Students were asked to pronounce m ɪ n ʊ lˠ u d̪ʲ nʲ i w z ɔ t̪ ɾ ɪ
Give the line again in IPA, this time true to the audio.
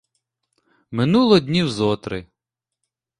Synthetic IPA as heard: m ɪ n u lˠ ɔ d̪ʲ nʲ i w z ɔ t̪ ɾ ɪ